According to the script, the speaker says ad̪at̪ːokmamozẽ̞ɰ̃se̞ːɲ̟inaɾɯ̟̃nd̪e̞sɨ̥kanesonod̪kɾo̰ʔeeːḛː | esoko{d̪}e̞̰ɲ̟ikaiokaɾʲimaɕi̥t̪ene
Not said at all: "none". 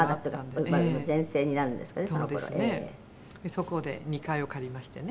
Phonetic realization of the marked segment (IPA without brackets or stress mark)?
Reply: d̪